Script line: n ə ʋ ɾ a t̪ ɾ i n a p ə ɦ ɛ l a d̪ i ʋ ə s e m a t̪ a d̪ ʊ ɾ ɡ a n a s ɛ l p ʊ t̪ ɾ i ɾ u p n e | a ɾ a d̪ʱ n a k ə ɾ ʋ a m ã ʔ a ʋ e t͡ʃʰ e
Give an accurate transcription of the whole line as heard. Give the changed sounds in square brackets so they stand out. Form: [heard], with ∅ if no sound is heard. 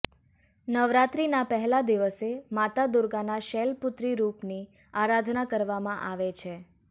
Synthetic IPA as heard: n ə ʋ ɾ a t̪ ɾ i n a p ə ɦ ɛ l a d̪ i ʋ ə s e m a t̪ a d̪ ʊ ɾ ɡ a n a [ʃ] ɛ l p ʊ t̪ ɾ i ɾ u p n [i] | a ɾ a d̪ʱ n a k ə ɾ ʋ a m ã ʔ a ʋ e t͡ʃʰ e